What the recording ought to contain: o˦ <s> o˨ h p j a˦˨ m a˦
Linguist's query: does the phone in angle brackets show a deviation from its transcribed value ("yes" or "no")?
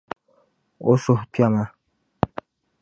no